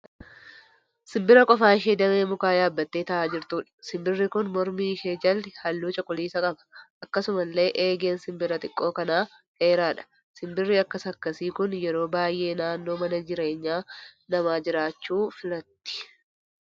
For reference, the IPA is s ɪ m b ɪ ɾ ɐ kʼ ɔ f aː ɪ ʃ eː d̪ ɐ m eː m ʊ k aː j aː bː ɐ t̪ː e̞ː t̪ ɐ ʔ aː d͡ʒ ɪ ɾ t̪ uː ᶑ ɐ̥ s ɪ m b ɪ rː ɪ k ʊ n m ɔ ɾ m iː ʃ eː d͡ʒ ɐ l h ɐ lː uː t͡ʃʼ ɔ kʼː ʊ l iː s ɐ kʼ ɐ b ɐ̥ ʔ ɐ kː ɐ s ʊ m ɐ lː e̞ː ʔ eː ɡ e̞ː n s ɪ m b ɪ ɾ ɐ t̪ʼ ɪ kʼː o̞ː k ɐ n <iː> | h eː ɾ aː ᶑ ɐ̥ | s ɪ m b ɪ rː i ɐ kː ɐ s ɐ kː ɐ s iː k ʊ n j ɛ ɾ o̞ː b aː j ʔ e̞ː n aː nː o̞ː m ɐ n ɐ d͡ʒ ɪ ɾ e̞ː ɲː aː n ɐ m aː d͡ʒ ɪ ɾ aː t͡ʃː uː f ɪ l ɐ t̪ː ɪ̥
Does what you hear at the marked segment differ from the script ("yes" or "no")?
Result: yes